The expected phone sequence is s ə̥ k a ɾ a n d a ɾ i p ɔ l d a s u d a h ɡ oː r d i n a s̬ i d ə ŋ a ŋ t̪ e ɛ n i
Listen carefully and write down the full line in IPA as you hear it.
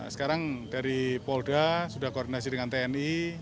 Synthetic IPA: s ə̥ k a ɾ a ŋ d a ɾ i p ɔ l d a s u d a h k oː r d i n a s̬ i d ə ŋ a n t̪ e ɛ n i